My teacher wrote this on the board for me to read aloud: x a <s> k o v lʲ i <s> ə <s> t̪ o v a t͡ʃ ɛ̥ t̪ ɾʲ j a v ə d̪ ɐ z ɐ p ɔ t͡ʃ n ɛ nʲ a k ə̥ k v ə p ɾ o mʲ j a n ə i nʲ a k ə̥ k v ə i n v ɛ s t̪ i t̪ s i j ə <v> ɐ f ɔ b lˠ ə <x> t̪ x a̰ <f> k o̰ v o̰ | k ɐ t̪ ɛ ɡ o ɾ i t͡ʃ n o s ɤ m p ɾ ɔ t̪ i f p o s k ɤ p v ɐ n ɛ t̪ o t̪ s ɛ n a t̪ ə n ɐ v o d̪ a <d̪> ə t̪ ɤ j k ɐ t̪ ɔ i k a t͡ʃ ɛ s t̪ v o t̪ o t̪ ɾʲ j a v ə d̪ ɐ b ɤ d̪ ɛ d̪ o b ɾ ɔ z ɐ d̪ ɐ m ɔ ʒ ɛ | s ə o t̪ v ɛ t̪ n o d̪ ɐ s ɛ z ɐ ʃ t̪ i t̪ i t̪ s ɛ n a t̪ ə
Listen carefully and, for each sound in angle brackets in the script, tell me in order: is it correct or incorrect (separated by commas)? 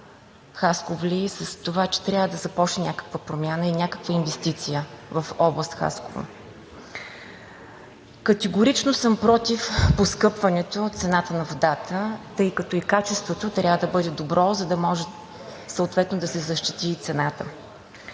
correct, correct, correct, correct, incorrect, incorrect, incorrect